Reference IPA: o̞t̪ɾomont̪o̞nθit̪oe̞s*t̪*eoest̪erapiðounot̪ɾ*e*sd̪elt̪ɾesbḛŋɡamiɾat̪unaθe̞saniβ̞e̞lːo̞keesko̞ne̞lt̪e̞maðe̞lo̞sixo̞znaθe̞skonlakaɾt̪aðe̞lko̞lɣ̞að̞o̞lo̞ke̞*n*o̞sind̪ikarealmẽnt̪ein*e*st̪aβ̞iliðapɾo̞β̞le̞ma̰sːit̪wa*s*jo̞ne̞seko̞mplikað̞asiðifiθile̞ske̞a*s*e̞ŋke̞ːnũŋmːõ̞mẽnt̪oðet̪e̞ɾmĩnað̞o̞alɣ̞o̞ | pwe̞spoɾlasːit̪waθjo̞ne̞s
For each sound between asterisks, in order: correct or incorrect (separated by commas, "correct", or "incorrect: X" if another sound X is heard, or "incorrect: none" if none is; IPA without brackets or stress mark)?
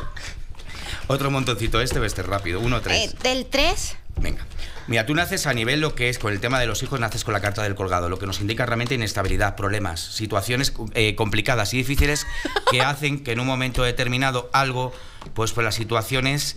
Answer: correct, correct, correct, correct, incorrect: θ, incorrect: θ